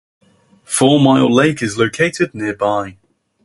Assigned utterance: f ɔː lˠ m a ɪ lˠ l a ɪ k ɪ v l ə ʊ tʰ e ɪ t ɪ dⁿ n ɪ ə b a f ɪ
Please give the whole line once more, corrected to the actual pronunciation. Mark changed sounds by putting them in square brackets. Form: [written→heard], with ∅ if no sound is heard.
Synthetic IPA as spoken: f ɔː [lˠ→∅] m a ɪ lˠ l [a→e] ɪ k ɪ [v→z] l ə ʊ [tʰ→kʰ] e ɪ t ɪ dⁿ n ɪ ə b a [f→∅] ɪ